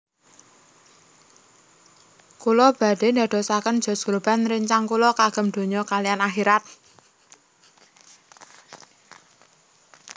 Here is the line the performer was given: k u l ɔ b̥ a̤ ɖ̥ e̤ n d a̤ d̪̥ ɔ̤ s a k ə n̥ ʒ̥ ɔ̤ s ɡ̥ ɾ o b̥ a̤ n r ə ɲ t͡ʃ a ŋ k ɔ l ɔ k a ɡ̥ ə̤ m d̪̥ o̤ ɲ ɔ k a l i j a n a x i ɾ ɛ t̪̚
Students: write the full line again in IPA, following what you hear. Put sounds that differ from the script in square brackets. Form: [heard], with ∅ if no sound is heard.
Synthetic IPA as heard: k u l ɔ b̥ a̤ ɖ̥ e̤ n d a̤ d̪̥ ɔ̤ s a k ə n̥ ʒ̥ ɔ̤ s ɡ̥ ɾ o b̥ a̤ n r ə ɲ t͡ʃ a ŋ k [u] l ɔ k a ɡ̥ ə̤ m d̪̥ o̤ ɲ ɔ k a l i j a n a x i ɾ [a] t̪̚